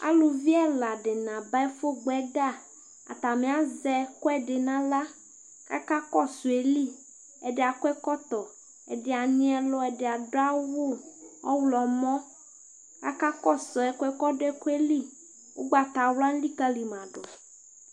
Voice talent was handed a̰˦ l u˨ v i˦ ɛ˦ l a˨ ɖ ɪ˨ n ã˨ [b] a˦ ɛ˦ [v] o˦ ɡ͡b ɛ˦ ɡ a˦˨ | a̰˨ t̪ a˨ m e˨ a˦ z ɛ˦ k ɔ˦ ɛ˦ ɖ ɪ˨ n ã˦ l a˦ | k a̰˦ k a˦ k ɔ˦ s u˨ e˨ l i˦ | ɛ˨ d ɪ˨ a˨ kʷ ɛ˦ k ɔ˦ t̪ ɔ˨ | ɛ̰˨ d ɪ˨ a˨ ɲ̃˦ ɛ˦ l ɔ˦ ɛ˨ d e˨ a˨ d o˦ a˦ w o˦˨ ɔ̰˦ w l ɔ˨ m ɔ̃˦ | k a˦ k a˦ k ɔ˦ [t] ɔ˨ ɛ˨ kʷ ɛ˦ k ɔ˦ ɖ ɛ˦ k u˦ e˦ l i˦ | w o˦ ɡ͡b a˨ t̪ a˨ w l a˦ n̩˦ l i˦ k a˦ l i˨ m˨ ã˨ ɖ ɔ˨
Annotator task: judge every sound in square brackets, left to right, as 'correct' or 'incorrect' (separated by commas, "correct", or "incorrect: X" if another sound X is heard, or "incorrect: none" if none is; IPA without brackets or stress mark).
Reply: correct, incorrect: f, incorrect: s